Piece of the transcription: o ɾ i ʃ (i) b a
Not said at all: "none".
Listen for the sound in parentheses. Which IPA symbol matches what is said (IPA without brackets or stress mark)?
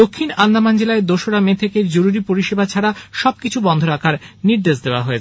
e